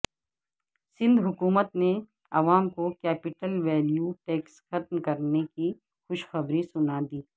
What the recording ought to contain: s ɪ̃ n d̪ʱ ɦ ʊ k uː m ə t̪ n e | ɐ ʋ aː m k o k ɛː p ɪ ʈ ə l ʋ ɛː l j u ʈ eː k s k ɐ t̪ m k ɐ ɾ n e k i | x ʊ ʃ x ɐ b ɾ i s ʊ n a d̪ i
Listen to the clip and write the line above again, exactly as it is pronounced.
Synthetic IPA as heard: s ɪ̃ n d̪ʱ ɦ ʊ k uː m ə t̪ n e | ɐ ʋ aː m k o k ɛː p ɪ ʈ ə l ʋ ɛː l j u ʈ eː k s x ɐ t̪ m k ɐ ɾ n e k i | x ʊ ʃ x ɐ b ɾ i s ʊ n a d̪ iː